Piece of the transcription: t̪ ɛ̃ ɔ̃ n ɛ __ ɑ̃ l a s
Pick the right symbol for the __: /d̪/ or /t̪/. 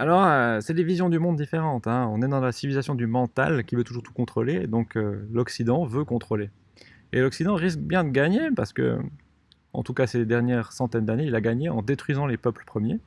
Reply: d̪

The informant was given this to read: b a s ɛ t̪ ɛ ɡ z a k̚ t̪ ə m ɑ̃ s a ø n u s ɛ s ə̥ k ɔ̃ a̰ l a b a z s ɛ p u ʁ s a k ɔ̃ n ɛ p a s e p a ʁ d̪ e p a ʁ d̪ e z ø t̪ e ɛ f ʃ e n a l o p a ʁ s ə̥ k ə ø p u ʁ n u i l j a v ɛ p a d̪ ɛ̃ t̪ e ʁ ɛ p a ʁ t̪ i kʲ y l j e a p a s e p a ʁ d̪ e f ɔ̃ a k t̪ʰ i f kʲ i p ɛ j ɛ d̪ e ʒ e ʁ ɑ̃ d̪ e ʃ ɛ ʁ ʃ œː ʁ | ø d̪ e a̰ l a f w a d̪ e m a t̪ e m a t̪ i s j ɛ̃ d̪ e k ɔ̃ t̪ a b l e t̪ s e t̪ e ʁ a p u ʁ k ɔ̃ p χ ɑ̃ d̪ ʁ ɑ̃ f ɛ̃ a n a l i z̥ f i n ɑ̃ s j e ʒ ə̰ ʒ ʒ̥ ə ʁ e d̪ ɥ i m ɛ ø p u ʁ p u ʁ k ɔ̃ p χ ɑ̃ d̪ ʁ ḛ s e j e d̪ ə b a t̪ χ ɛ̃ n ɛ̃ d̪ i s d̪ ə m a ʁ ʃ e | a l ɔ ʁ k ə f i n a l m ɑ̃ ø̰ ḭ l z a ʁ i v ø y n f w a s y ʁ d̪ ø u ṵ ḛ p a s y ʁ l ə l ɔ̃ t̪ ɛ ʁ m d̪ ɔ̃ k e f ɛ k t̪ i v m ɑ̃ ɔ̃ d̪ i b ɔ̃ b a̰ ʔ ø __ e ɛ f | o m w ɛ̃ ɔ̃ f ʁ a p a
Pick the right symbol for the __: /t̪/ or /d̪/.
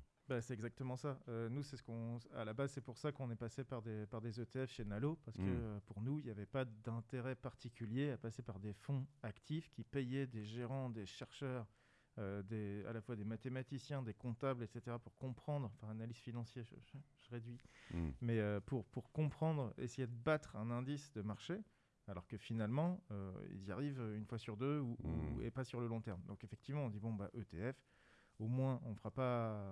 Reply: t̪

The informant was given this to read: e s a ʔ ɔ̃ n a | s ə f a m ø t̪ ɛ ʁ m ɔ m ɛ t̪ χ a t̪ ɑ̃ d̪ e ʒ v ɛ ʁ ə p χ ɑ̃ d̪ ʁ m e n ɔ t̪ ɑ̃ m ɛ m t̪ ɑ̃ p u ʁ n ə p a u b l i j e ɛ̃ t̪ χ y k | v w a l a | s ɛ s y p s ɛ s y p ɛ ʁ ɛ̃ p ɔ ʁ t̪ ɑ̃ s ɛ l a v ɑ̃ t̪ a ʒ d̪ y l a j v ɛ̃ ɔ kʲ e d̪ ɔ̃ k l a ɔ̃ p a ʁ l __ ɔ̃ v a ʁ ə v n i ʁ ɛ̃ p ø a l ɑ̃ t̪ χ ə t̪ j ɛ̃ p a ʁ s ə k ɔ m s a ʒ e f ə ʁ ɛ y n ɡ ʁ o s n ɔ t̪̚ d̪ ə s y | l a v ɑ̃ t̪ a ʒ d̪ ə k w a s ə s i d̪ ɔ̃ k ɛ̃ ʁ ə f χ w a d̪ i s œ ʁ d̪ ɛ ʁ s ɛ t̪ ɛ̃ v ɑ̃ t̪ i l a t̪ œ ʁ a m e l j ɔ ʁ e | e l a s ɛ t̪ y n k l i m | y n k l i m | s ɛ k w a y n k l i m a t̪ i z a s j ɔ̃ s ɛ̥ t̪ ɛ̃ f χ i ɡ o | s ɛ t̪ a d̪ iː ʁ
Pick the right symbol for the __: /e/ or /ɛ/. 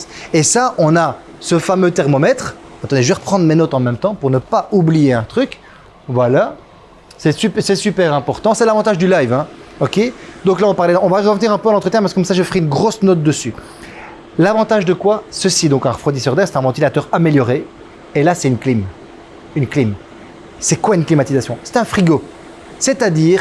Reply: ɛ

